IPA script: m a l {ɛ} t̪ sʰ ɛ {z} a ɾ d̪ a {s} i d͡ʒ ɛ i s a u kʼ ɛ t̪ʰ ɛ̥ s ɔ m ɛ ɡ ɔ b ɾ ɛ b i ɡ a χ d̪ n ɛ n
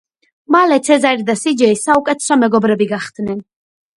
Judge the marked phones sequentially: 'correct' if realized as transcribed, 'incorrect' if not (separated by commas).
correct, correct, correct